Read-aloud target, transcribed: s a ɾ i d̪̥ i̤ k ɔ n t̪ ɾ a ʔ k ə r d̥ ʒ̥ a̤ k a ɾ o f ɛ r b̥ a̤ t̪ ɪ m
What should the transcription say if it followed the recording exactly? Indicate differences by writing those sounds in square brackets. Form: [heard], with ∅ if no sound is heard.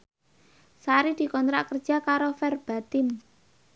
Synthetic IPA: s a ɾ i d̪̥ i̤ k ɔ n t̪ ɾ a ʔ k ə r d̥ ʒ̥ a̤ k a ɾ o f ɛ r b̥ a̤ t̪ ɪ m